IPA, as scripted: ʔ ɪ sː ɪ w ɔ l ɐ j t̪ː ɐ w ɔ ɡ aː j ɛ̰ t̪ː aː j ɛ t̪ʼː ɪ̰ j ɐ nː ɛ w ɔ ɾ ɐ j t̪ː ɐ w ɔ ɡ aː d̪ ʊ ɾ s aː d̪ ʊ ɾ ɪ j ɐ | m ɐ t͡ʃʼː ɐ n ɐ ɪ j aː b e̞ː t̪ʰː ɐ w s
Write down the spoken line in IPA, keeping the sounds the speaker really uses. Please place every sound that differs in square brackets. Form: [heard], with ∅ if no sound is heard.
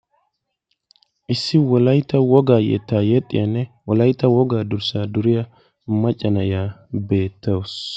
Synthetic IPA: ʔ ɪ sː ɪ w ɔ l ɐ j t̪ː ɐ w ɔ ɡ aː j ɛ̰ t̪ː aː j ɛ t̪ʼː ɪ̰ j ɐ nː ɛ w ɔ [l] ɐ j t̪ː ɐ w ɔ ɡ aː d̪ ʊ ɾ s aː d̪ ʊ ɾ ɪ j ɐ | m ɐ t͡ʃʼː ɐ n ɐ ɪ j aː b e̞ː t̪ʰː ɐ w s